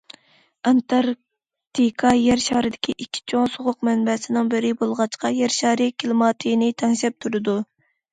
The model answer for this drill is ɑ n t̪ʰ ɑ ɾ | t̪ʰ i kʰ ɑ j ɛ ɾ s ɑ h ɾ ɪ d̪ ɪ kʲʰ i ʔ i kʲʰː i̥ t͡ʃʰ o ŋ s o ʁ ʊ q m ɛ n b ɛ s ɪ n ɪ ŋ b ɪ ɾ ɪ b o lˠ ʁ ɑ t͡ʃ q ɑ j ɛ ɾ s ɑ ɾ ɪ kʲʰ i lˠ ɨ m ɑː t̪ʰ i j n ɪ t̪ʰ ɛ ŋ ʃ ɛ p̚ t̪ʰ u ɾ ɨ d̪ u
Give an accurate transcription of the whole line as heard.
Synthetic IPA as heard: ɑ n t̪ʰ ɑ ɾ | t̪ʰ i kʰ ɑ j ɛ ɾ ʃ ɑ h ɾ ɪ d̪ ɪ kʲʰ i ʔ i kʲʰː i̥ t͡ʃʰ o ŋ s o ʁ ʊ q m ɛ n b ɛ s ɪ n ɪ ŋ b ɪ ɾ ɪ b o lˠ ʁ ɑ t͡ʃ q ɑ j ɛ ɾ ʃ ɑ ɾ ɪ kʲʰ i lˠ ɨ m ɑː t̪ʰ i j n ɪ t̪ʰ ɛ ŋ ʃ ɛ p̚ t̪ʰ u ɾ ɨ d̪ u